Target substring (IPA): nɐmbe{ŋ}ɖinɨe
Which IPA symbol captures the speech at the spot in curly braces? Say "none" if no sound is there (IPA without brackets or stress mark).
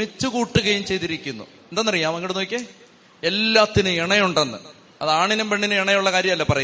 ɳ